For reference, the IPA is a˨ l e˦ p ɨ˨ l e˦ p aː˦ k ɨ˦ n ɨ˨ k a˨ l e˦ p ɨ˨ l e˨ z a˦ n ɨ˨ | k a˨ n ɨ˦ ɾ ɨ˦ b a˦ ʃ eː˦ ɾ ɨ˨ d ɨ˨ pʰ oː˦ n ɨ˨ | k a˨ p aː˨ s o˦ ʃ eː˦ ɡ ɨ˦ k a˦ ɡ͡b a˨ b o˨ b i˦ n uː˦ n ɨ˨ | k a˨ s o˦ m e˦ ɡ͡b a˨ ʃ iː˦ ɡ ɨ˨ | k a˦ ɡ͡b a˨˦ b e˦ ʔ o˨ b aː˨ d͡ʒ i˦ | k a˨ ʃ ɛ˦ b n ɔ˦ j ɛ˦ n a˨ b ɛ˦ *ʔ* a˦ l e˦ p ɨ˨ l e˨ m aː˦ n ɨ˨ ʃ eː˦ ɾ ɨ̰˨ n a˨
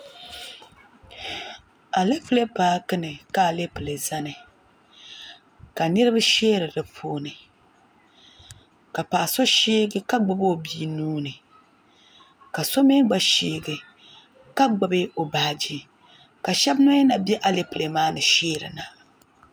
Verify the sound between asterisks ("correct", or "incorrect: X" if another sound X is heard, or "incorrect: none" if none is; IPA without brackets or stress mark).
correct